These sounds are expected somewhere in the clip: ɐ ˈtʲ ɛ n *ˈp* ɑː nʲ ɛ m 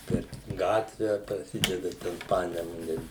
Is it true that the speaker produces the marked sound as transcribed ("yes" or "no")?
yes